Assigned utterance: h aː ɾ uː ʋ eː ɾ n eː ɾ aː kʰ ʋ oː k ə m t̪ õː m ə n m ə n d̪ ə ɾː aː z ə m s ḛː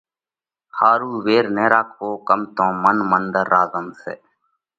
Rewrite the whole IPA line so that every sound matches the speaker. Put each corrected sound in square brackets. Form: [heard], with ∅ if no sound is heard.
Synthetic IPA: h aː ɾ uː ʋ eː ɾ n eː ɾ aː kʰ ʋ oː k ə m t̪ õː m ə n m ə n d̪ ə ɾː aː z ə m s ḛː

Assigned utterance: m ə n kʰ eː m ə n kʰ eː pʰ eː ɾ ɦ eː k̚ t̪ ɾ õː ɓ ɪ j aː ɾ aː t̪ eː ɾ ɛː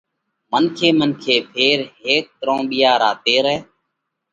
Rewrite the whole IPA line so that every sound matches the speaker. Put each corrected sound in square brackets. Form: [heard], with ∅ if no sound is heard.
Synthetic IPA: m ə n kʰ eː m ə n kʰ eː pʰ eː ɾ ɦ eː k̚ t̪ ɾ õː ɓ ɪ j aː ɾ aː t̪ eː ɾ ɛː

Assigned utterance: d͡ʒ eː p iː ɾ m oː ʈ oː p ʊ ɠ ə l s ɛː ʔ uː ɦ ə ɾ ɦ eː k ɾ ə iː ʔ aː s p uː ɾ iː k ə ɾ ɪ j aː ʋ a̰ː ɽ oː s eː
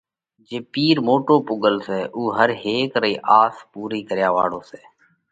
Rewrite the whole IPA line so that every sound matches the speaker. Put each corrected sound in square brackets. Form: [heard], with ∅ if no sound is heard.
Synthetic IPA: d͡ʒ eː p iː ɾ m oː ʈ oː p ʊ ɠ ə l s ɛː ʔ uː ɦ ə ɾ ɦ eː k ɾ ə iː ʔ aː s p uː ɾ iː k ə ɾ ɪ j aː ʋ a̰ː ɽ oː s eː

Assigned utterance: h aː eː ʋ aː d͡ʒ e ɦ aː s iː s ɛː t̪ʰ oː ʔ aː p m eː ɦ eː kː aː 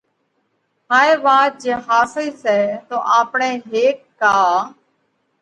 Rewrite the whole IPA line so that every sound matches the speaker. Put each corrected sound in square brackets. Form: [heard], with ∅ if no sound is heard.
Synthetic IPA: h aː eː ʋ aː d͡ʒ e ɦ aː s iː s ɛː [t̪] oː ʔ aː p [ɳ] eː ɦ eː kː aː

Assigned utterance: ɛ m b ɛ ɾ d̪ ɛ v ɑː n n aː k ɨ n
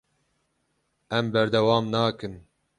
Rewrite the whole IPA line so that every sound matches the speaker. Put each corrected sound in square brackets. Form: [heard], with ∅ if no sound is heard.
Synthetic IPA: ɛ m b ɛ ɾ d̪ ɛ [w] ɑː [m] n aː k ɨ n

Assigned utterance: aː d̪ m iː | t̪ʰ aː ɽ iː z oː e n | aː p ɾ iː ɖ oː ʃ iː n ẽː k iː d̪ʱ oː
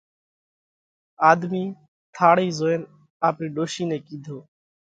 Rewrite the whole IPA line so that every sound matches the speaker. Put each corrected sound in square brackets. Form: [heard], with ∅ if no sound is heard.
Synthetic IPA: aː d̪ m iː | t̪ʰ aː ɽ iː z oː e n | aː p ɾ iː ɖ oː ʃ iː n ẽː k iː d̪ʱ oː

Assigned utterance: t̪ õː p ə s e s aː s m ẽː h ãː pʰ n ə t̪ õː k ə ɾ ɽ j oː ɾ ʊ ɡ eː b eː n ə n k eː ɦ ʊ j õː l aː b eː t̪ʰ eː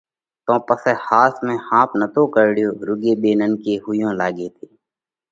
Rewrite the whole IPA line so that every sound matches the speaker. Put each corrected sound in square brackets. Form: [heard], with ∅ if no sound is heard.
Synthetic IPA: t̪ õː p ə s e [h] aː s m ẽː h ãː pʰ n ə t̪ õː k ə ɾ ɽ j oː ɾ ʊ ɡ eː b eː n ə n k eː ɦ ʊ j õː l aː [ɡ] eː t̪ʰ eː

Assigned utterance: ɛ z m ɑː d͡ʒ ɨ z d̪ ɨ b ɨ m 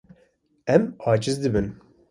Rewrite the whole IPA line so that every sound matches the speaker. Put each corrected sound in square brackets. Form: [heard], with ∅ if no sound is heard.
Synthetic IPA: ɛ [∅] m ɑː d͡ʒ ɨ z d̪ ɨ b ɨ [n]

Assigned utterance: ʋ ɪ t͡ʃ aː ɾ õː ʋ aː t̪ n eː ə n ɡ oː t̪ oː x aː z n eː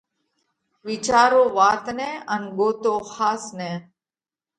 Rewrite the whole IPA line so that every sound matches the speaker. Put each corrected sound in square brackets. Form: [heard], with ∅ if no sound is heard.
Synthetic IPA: ʋ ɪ t͡ʃ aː ɾ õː ʋ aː t̪ n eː ə n ɡ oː t̪ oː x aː [s] n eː

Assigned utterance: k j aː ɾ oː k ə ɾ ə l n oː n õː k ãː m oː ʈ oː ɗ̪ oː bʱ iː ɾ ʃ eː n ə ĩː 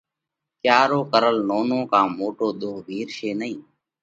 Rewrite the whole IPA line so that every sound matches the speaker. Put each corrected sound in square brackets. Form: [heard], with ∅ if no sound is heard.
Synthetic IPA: k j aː ɾ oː k ə ɾ ə l n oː n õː k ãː m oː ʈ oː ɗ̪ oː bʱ iː ɾ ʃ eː n ə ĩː

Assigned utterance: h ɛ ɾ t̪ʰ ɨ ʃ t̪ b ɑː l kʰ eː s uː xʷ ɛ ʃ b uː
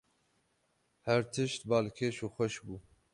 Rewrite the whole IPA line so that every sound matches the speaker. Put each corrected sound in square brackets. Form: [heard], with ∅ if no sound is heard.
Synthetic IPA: h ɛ ɾ t̪ʰ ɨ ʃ t̪ b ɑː l kʰ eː [ʃ] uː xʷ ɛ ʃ b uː

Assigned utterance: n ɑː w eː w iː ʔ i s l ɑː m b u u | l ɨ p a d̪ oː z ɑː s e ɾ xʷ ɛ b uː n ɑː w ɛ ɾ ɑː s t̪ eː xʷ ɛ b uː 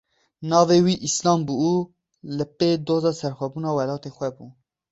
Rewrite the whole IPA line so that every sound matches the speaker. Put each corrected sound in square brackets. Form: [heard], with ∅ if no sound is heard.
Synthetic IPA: n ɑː [v] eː w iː ʔ i s l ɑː m b u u | l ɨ p [e] d̪ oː z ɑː s [ɛ] ɾ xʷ ɛ b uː n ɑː w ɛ [l] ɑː [∅] t̪ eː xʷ ɛ b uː

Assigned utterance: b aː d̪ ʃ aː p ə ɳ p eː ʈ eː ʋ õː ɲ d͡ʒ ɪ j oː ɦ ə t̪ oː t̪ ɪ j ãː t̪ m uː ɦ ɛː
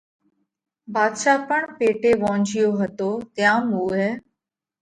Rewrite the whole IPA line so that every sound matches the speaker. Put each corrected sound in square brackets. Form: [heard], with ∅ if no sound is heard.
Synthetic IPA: b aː d̪ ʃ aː p ə ɳ p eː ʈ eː ʋ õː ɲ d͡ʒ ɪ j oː ɦ ə t̪ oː t̪ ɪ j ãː [∅] m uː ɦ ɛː

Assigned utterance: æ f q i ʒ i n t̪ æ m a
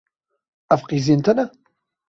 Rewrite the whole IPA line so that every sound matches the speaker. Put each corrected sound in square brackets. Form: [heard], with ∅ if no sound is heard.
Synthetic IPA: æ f q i [z] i n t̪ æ [n] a

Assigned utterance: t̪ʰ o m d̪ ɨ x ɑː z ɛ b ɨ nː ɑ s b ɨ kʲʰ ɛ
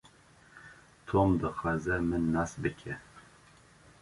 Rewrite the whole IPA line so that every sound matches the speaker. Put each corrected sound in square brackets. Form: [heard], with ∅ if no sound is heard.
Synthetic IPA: t̪ʰ o m d̪ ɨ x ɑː z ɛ [m] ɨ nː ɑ s b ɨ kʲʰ ɛ

